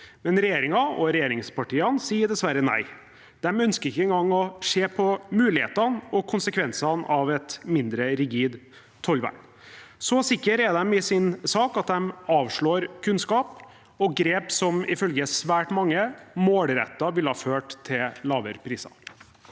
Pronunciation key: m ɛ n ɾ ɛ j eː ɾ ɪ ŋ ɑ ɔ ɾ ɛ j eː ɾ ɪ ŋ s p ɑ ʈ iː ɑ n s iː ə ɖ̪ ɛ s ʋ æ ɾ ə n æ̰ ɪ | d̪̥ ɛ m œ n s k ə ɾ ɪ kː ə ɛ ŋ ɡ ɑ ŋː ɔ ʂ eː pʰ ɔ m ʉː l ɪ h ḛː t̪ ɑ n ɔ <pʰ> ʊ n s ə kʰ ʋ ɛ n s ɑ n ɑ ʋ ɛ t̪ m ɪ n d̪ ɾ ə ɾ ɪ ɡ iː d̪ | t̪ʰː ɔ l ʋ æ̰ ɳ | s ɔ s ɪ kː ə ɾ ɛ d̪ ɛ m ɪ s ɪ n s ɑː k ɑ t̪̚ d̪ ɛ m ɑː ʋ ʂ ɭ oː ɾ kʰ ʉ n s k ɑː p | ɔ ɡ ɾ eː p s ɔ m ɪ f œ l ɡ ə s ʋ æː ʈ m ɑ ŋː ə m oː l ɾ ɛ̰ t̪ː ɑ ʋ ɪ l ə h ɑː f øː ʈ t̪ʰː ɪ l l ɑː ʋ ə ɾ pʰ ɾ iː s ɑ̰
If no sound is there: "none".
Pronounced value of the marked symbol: kʰ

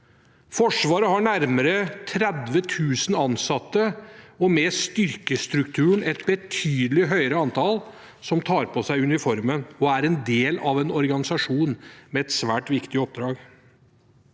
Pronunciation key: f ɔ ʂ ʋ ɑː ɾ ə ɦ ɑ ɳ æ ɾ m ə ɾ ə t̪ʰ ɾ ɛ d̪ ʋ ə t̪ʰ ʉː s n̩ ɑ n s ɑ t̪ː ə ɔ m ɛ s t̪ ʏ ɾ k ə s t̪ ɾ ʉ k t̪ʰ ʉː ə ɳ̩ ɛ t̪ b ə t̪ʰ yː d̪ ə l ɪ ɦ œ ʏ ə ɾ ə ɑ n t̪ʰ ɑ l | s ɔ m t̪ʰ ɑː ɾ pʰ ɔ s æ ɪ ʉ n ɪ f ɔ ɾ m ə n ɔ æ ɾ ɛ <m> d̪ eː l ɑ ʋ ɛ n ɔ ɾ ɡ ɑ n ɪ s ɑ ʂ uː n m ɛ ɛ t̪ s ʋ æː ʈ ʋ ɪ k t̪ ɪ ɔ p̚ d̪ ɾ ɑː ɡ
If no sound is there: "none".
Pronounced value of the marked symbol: n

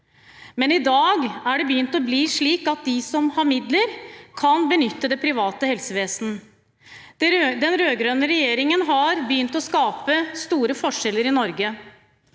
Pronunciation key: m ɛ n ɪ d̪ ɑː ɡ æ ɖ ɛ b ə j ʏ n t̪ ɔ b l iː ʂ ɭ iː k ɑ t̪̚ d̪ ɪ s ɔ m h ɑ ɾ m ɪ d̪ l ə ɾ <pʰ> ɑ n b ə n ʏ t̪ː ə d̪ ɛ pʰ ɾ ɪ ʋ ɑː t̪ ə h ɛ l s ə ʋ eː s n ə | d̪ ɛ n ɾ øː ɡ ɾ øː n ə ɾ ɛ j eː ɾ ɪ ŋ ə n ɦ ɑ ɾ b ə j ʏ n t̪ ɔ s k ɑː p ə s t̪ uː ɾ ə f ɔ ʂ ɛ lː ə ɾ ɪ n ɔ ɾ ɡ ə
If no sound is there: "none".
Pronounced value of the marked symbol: kʰ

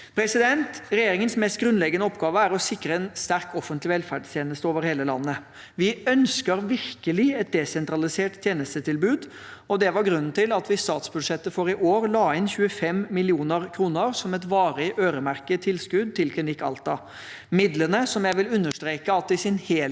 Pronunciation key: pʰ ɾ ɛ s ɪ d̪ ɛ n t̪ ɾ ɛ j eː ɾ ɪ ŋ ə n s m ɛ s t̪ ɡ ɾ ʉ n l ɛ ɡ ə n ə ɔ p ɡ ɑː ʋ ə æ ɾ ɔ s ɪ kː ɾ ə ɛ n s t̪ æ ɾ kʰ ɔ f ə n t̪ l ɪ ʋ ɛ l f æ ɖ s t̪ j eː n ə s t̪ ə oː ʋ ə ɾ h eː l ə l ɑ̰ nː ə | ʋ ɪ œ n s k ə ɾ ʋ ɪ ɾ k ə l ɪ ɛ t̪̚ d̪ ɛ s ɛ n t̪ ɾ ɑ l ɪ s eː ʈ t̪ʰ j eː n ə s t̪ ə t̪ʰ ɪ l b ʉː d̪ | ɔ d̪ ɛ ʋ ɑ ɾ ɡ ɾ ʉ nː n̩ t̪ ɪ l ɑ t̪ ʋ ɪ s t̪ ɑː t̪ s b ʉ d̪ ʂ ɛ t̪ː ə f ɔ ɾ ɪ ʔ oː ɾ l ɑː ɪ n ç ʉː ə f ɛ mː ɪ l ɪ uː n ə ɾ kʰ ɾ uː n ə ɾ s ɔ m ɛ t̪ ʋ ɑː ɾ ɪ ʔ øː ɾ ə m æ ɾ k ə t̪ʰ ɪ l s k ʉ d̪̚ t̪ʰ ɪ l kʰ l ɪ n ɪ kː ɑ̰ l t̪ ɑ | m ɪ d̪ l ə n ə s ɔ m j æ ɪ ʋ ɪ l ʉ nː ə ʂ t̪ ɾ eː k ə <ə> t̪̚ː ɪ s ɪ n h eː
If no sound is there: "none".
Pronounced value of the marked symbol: ɑ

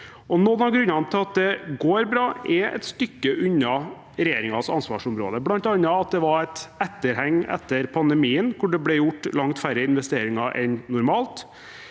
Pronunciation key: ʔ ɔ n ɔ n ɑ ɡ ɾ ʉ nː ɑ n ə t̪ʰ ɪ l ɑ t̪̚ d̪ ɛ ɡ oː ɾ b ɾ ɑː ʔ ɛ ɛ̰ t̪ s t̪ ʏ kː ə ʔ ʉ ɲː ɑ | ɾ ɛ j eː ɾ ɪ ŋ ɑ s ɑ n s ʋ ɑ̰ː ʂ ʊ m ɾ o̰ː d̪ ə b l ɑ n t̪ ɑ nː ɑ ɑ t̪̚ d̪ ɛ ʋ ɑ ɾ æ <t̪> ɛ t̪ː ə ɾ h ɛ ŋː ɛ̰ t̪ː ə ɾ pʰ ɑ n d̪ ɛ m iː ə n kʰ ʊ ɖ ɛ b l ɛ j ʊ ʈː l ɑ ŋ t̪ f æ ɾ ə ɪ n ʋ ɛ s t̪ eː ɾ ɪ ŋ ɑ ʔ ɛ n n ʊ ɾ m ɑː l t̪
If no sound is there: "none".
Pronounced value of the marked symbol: t̪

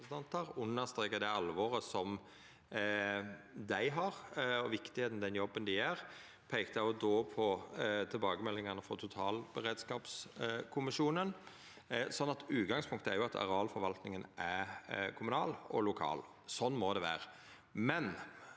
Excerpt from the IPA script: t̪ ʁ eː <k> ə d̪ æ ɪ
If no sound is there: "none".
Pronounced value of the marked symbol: k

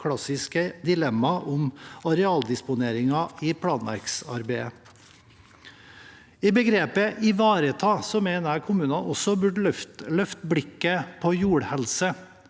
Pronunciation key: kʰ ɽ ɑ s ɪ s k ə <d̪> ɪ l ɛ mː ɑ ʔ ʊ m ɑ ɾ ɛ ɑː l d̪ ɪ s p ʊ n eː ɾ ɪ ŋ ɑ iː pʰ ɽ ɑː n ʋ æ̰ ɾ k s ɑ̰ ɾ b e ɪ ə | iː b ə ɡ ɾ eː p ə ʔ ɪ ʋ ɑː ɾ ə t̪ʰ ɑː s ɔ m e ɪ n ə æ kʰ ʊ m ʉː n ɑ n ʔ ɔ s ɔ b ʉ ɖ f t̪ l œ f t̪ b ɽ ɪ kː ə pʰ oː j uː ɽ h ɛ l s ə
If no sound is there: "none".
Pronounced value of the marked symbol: d̪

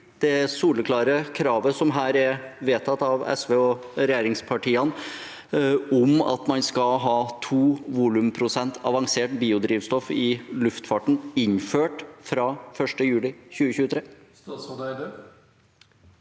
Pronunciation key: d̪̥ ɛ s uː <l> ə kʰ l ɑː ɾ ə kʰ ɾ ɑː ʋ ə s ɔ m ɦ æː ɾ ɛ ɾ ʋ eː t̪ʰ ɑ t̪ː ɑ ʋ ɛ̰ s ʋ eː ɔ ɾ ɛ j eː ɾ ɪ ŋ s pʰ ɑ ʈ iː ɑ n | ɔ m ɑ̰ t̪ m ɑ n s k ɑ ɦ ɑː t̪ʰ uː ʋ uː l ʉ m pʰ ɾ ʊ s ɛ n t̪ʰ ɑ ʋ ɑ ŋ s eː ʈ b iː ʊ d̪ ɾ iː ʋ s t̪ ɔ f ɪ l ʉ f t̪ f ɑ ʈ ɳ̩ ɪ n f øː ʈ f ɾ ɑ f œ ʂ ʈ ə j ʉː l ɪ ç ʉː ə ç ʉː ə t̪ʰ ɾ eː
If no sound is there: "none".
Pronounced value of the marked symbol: l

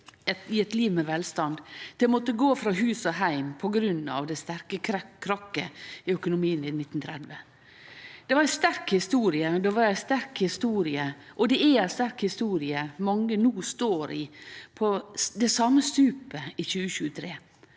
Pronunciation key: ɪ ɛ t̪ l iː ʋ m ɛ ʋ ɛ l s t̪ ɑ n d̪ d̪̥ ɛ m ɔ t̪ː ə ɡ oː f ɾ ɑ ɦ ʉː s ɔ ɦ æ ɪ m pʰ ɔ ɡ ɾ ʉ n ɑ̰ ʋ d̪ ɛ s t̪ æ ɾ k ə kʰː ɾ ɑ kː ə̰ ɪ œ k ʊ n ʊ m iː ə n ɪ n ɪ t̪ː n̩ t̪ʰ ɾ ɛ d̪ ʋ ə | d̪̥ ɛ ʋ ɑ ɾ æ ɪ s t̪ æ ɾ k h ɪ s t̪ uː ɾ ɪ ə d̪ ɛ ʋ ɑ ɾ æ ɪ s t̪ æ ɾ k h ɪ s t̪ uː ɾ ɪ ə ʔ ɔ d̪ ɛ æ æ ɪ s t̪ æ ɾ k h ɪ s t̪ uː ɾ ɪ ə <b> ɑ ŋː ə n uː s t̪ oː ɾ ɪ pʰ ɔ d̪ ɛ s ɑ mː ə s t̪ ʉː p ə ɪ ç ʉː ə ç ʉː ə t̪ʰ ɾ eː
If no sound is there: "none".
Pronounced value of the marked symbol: m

